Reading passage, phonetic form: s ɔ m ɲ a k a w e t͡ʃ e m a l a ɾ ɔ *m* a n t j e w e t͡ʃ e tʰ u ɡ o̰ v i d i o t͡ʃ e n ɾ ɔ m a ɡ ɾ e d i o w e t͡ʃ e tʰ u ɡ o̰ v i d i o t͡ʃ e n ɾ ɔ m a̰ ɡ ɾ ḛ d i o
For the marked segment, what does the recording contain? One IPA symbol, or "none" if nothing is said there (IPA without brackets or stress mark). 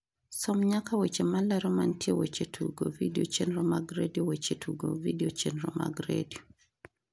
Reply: m